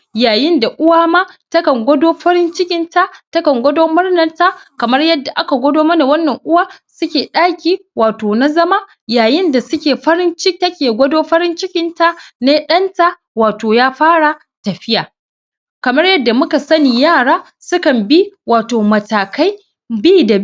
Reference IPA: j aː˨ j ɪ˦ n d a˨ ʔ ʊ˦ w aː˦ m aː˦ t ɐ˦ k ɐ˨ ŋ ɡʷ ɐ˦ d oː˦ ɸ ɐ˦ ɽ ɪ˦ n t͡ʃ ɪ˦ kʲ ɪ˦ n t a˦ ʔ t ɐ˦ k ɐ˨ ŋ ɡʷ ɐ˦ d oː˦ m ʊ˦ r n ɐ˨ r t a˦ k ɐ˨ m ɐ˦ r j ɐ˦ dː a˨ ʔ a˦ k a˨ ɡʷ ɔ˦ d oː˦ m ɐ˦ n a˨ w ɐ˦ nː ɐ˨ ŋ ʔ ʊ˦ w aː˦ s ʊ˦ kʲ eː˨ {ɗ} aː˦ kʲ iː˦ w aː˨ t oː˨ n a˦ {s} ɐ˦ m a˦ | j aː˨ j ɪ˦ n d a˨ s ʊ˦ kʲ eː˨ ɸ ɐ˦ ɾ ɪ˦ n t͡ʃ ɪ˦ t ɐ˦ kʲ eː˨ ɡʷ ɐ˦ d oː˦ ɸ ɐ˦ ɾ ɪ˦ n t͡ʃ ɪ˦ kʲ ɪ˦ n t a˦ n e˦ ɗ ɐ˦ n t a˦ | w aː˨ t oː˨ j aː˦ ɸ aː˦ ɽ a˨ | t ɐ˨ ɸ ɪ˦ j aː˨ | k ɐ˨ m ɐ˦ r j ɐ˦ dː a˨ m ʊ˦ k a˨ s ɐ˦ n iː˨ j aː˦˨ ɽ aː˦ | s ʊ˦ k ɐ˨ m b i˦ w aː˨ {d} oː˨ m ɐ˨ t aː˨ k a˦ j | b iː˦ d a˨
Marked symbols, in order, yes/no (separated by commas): yes, no, no